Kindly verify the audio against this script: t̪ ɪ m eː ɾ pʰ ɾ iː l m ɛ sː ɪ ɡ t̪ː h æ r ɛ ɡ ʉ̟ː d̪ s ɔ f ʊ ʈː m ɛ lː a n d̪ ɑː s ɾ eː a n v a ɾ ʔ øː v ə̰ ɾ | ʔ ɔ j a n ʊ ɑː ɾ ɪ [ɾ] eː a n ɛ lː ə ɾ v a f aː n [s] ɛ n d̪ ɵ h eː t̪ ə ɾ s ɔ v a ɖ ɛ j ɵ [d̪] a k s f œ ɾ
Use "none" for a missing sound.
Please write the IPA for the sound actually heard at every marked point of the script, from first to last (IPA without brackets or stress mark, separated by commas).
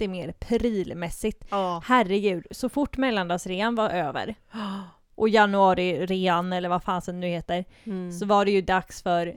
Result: ɾ, s, d̪